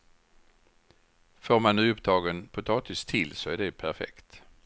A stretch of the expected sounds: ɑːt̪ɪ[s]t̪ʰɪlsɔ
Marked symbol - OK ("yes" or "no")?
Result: yes